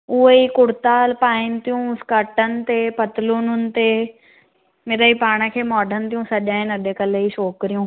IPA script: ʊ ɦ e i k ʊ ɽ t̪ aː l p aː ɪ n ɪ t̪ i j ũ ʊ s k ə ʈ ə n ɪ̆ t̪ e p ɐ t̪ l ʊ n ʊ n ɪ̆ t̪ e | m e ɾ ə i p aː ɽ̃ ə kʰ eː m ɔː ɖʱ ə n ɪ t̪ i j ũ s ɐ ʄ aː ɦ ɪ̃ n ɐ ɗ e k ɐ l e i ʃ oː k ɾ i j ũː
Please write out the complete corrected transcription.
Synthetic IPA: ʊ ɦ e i k ʊ ɽ t̪ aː l p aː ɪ n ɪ t̪ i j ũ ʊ s k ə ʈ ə n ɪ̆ t̪ e p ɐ t̪ l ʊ n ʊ n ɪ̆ t̪ e | m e ɾ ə i p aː ɽ̃ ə kʰ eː m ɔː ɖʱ ə n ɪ t̪ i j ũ s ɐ ʄ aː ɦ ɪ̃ n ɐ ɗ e k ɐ l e i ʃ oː k ɾ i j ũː